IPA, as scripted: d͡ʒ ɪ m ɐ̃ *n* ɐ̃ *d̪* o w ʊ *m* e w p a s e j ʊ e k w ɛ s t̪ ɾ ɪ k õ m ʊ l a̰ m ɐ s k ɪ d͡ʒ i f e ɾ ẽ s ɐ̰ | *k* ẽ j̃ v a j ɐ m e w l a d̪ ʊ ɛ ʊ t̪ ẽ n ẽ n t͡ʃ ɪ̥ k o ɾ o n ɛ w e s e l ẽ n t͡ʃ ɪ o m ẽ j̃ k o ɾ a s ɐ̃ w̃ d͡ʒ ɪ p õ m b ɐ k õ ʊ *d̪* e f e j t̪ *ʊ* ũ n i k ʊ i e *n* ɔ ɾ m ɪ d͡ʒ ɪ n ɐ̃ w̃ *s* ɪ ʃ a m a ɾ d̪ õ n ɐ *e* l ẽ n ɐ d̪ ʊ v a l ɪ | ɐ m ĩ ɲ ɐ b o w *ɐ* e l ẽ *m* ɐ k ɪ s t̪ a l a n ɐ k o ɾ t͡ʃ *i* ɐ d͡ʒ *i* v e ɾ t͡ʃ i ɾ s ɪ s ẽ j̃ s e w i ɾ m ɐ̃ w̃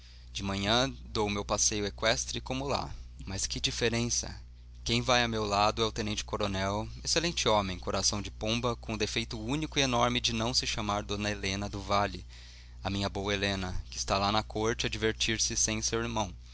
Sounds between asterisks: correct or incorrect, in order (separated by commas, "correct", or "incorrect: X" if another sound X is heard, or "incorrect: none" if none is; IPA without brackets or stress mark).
incorrect: ɲ, correct, correct, correct, correct, correct, correct, correct, correct, correct, incorrect: n, incorrect: ɪ, correct